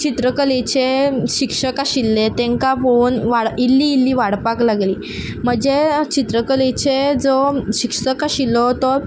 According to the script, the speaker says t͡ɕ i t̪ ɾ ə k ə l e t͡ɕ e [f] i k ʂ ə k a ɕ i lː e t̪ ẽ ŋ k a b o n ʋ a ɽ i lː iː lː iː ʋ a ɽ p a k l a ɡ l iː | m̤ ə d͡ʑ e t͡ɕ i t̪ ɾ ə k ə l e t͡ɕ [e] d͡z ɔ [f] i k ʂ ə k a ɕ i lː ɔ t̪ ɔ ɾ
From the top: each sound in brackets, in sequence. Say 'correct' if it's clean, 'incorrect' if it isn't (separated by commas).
incorrect, correct, incorrect